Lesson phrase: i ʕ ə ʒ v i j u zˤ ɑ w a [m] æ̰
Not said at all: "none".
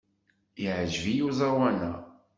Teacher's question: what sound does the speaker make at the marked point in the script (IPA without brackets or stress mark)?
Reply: n